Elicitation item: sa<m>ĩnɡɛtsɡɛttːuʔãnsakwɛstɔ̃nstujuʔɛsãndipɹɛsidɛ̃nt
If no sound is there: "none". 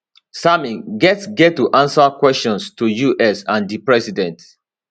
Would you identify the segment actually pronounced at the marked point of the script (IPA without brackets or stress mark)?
m